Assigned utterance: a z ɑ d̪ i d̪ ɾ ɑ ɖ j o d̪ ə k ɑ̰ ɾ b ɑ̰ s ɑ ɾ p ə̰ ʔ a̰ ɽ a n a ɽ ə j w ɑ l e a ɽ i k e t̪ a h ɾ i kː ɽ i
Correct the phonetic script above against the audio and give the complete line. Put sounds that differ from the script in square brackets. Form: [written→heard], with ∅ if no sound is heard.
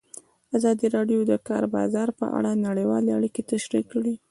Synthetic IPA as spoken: a z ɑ d̪ i [d̪→∅] ɾ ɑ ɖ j o d̪ ə k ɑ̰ ɾ b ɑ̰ [s→z] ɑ ɾ p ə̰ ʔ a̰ ɽ a n a ɽ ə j w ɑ l e a ɽ i k e t̪ a [h→ʃ] ɾ i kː ɽ i